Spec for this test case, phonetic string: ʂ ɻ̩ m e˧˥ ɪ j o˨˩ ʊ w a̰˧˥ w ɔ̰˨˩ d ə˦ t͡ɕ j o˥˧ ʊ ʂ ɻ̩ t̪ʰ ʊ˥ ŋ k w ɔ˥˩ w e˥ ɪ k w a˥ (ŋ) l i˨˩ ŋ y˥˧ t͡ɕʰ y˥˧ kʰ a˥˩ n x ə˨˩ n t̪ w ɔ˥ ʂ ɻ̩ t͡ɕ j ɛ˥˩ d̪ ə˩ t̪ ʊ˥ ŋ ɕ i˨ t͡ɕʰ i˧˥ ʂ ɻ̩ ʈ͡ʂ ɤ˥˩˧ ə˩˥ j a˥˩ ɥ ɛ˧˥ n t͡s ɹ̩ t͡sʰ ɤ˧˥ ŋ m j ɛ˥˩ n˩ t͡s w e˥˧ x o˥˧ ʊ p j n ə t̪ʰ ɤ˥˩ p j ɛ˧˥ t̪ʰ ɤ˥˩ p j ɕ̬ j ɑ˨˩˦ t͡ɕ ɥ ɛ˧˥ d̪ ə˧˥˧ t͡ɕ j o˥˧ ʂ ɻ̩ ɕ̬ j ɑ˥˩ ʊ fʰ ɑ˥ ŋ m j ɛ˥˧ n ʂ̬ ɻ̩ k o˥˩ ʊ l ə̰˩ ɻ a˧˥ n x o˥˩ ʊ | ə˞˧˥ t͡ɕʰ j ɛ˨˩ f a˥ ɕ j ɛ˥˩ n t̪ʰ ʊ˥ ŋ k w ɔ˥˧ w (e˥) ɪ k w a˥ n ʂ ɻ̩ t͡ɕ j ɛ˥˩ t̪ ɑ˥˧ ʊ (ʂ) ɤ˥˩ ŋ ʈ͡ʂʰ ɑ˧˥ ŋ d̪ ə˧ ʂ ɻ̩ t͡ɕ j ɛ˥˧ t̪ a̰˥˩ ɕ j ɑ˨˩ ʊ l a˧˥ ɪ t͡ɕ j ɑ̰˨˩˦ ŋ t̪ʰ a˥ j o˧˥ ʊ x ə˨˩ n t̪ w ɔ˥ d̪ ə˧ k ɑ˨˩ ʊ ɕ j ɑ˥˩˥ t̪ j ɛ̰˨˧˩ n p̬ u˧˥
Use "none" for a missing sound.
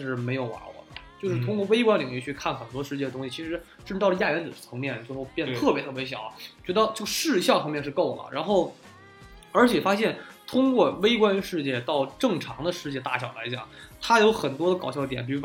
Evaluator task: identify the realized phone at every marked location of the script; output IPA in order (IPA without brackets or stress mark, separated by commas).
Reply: n, e˥, ʈ͡ʂ